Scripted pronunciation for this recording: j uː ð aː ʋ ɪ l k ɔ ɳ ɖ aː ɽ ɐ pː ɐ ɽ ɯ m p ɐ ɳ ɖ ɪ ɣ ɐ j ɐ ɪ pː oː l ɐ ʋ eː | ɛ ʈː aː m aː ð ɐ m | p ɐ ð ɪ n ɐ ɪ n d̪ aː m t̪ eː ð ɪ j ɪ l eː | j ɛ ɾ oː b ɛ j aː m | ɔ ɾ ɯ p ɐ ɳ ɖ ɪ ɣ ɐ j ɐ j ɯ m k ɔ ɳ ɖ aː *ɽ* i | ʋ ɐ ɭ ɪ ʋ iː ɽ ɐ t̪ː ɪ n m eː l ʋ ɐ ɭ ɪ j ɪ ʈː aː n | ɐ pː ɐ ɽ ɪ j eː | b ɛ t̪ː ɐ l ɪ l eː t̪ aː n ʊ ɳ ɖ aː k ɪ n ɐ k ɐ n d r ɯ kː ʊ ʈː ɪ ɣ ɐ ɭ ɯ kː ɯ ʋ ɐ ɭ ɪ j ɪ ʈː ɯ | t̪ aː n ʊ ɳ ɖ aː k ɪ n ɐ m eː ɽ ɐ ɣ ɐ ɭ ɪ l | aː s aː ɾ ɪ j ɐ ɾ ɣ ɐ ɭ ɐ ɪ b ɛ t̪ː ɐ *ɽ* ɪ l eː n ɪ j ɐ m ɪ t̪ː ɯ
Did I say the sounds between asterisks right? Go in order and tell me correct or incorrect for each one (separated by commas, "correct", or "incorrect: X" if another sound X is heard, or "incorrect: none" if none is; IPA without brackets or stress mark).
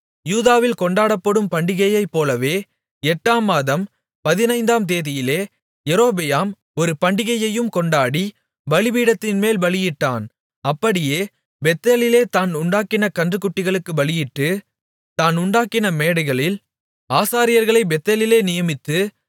correct, incorrect: l